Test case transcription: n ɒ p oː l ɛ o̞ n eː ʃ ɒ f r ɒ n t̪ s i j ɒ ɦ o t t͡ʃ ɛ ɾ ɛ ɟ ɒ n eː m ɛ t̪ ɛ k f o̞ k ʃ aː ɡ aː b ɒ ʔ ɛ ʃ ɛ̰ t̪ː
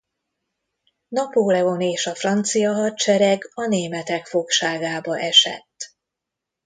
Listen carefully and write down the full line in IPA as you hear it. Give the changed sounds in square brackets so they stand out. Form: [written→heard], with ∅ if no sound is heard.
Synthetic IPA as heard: n ɒ p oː l ɛ o̞ n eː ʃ ɒ f r ɒ n t̪ s i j ɒ ɦ [o→ɒ] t t͡ʃ ɛ ɾ ɛ [ɟ→ɡ] ɒ n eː m ɛ t̪ ɛ k f o̞ k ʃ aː ɡ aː b ɒ ʔ ɛ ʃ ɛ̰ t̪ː